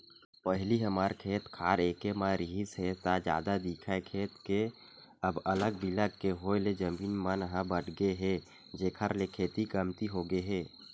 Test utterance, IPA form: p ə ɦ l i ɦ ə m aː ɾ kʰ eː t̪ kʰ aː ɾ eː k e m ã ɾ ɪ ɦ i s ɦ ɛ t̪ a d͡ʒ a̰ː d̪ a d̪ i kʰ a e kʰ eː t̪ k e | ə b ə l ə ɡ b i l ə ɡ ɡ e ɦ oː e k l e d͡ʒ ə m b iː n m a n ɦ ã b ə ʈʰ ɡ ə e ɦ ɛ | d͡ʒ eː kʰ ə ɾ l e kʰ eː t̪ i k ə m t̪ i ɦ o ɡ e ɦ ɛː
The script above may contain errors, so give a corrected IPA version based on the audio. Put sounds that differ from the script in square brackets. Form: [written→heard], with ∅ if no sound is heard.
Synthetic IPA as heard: p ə ɦ l i ɦ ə m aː ɾ kʰ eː t̪ kʰ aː ɾ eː k e m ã ɾ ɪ ɦ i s ɦ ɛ t̪ a d͡ʒ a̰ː d̪ a d̪ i kʰ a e kʰ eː t̪ k e | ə b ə l ə ɡ b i l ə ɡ [ɡ→k] e ɦ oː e [k→∅] l e d͡ʒ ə m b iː n m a n ɦ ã b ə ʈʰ ɡ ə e ɦ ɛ | d͡ʒ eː kʰ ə ɾ l e kʰ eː t̪ i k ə m t̪ i ɦ o ɡ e ɦ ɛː